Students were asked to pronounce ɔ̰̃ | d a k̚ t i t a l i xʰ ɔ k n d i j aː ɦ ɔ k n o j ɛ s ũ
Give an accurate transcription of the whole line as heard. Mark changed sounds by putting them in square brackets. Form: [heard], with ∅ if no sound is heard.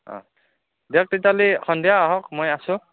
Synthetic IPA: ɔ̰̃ | d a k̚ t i t a l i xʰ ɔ [∅] n d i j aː ɦ ɔ k [m] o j [a] s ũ